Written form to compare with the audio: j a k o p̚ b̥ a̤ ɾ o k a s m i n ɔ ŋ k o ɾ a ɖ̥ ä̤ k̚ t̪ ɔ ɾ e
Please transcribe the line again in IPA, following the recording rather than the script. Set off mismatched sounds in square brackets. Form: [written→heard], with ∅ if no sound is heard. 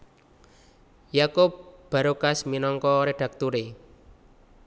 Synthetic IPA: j a k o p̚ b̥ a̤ ɾ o k a s m i n ɔ ŋ k [o→ɔ] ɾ [a→e] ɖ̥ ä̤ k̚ t̪ [ɔ→u] ɾ e